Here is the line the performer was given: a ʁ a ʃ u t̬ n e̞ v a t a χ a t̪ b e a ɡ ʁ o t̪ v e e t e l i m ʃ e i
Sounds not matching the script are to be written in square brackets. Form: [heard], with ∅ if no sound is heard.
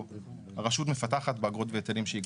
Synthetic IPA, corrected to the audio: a ʁ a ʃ u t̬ [m] e̞ [f] a t a χ a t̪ b e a ɡ ʁ o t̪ v e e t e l i m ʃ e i